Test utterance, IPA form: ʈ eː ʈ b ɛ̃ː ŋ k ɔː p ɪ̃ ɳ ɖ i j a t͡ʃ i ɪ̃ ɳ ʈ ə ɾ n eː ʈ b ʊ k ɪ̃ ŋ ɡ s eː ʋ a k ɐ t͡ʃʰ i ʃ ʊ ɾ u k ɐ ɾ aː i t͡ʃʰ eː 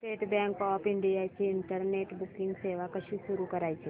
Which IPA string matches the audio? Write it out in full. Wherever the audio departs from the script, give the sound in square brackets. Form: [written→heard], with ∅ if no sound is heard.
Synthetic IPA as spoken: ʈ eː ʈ b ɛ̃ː ŋ k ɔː p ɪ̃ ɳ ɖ i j a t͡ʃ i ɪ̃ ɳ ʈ ə ɾ n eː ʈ b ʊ k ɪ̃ ŋ ɡ s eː ʋ a k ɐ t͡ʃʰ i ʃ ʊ ɾ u k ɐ ɾ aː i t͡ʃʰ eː